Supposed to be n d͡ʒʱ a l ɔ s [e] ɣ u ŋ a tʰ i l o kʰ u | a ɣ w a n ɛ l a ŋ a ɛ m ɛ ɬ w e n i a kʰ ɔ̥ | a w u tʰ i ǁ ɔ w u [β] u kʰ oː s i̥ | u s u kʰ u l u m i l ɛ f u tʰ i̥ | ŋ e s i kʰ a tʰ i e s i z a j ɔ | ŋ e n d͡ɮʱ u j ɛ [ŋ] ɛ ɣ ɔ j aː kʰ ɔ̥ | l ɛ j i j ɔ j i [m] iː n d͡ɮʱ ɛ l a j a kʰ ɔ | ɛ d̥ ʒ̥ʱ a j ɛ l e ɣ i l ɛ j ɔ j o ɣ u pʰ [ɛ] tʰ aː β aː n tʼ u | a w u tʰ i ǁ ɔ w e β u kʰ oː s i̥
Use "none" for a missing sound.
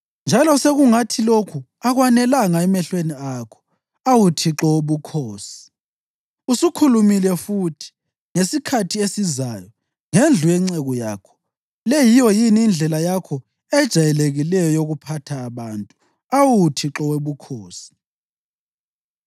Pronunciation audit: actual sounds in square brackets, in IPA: e, β, ŋ͡ǀ, n, a

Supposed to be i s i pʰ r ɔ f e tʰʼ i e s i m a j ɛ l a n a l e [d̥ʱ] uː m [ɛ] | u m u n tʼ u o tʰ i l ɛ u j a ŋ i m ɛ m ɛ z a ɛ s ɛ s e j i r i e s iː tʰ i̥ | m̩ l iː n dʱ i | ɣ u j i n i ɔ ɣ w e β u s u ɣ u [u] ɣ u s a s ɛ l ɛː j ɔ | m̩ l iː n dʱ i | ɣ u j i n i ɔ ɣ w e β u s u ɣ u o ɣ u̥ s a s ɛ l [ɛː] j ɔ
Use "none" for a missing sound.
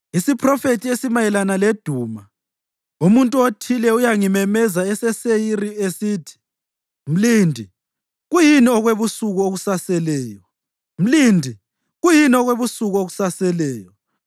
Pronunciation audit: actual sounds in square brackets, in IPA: d̥ʱ, a, o, ɛː

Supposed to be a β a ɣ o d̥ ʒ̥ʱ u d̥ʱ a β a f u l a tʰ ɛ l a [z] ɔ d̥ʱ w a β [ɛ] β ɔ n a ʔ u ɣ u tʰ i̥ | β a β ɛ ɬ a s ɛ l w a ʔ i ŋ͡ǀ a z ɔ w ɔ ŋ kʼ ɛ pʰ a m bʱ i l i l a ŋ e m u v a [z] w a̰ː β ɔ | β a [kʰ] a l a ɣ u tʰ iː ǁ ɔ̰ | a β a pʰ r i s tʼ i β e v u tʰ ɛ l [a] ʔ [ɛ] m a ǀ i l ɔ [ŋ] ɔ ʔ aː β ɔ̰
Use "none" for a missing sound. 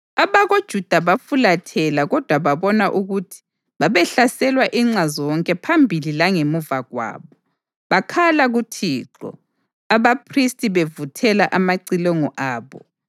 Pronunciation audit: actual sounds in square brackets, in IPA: ɣ, a, ɣ, kʰ, a, a, ŋ

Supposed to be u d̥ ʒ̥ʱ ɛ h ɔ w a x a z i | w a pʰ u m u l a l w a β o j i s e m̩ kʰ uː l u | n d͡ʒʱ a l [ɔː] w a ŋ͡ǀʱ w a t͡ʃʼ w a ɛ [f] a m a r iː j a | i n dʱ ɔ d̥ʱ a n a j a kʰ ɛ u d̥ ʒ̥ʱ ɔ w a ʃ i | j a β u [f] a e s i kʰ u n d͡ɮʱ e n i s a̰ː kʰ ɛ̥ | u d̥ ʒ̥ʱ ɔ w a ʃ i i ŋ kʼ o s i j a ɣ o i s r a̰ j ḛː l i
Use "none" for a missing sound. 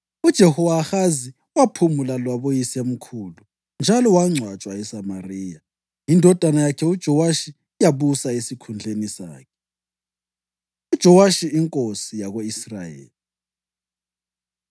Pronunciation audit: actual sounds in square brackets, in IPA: ɔ, s, s

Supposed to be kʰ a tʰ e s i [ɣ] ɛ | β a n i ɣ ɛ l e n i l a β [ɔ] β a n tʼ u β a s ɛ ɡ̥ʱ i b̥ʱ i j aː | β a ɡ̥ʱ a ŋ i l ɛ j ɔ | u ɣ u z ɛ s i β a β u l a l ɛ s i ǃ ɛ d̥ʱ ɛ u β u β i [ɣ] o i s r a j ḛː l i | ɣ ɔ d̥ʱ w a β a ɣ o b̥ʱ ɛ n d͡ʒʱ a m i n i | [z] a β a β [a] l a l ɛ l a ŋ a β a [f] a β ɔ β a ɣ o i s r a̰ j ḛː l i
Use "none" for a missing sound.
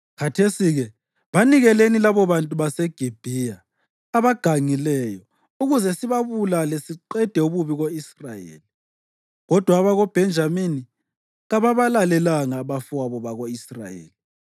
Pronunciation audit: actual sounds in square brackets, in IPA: ɣ, ɔ, ɣ, ɣ, a, f

